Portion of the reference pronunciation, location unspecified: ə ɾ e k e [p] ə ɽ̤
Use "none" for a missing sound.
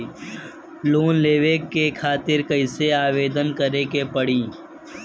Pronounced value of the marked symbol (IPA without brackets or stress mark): p